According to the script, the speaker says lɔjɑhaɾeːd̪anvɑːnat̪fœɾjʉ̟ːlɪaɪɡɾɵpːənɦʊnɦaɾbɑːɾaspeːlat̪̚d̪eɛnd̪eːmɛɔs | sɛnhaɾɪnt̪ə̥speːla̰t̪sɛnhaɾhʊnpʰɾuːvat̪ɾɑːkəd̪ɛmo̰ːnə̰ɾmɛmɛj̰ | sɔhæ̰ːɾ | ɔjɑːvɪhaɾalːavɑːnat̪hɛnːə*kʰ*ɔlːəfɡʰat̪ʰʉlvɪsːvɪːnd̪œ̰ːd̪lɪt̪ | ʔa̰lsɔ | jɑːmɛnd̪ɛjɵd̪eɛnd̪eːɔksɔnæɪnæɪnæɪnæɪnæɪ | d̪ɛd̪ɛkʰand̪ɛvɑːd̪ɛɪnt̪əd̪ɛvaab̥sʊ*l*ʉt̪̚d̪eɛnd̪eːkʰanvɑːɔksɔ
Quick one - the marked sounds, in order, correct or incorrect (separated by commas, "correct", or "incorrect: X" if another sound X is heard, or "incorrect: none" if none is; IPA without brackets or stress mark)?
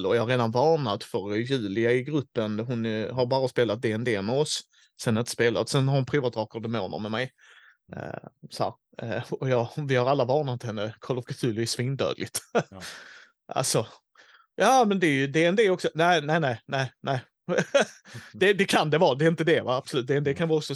correct, correct